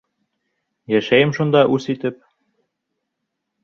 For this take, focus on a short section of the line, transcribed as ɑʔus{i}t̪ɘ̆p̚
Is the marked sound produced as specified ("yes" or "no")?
yes